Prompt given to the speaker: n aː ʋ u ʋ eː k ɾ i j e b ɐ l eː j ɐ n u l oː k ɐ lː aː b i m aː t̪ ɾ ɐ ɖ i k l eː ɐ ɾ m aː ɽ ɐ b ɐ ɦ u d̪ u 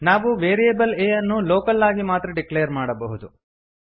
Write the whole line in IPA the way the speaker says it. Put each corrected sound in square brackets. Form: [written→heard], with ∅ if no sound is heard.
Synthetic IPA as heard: n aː ʋ u ʋ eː [k→∅] ɾ i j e b ɐ l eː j ɐ [n→nː] u l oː k ɐ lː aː [b→ɡ] i m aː t̪ ɾ ɐ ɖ i k l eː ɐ ɾ m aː ɽ ɐ b ɐ ɦ u d̪ u